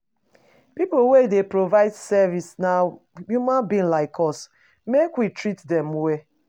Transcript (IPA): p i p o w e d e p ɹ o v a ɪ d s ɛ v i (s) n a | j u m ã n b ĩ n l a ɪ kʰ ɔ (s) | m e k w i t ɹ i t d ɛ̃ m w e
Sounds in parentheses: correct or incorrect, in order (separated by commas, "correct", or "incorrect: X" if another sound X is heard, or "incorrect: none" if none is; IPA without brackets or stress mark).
correct, correct